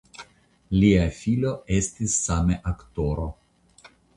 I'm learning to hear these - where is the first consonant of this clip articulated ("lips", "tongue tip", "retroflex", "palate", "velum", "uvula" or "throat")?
tongue tip